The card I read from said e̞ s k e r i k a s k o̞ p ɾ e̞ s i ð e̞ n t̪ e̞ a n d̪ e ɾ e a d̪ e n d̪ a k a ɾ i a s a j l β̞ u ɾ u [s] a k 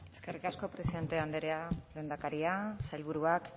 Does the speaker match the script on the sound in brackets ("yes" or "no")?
no